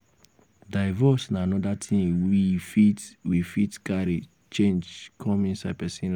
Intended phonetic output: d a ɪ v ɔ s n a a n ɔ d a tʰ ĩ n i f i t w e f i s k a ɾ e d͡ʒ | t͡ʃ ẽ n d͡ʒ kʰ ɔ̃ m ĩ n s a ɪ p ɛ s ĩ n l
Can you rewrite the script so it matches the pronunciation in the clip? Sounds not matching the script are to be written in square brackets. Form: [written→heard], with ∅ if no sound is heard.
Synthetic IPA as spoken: d a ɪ v ɔ s n a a n ɔ d a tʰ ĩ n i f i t w [e→i] f i [s→t] k a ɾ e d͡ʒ | t͡ʃ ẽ n d͡ʒ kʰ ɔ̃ m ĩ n s a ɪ p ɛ s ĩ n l

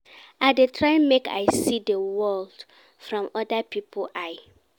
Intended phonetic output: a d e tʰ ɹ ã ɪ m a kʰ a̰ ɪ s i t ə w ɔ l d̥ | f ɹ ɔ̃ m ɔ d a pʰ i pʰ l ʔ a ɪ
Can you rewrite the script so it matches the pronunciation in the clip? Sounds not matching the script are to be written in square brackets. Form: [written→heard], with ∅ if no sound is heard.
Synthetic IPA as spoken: a d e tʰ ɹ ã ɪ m [a→e] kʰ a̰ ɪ s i [t→d] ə w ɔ l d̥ | f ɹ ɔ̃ m ɔ d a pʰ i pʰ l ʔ a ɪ

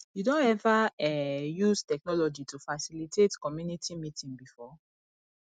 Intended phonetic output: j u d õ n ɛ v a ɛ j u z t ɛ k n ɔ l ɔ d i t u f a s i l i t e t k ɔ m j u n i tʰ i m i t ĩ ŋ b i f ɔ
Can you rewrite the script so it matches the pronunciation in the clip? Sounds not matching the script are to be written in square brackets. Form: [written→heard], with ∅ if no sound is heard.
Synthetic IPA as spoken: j u d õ n ɛ v a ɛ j u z t ɛ k n ɔ l ɔ [d→d͡ʒ] i t u f a s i l i t e t k ɔ m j u n i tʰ i m i t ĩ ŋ b i f ɔ

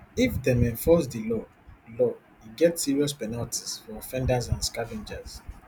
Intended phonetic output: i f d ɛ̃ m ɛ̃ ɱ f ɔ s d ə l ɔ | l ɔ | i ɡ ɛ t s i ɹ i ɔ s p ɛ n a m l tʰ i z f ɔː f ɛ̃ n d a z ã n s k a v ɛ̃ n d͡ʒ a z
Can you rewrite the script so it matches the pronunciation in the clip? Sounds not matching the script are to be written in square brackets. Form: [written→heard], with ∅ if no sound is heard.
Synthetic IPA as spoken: i f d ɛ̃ m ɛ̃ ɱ f ɔ s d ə l ɔ | l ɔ | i ɡ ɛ t s i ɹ i ɔ s p ɛ n a [m→∅] l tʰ i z f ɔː f ɛ̃ n d a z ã n s k a v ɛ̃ n d͡ʒ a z

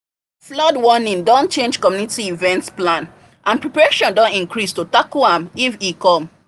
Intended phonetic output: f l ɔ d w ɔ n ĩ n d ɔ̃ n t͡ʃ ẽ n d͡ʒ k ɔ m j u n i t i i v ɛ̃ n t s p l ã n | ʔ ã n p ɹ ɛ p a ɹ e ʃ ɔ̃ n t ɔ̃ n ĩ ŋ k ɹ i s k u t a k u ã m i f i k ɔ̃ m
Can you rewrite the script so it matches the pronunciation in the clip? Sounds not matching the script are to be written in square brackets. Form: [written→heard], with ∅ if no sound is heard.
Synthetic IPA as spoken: f l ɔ d w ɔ n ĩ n d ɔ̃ n t͡ʃ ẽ n d͡ʒ k ɔ m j u n i t i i v ɛ̃ n t s p l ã n | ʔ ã n p ɹ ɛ p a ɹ e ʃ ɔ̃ n [t→d] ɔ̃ n ĩ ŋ k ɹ i s [k→t] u t a k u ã m i f i k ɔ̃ m

